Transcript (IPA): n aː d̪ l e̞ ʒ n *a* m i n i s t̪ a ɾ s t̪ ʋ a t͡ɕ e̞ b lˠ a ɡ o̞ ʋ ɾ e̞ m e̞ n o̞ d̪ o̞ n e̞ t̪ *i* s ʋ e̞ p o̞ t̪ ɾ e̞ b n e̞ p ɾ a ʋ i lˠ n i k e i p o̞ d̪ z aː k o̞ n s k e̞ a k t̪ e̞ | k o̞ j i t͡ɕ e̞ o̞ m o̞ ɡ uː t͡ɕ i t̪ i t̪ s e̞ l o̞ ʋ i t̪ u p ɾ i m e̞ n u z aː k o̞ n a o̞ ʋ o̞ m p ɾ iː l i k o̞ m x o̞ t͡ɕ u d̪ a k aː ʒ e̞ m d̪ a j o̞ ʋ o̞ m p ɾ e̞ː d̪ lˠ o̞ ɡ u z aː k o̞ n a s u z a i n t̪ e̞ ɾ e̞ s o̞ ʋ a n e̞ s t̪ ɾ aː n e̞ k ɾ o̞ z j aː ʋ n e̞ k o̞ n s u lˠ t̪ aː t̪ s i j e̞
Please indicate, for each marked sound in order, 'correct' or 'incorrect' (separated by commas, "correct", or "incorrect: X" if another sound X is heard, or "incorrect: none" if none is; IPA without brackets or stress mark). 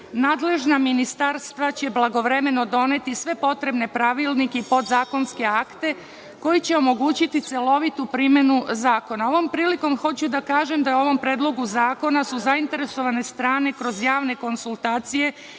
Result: correct, correct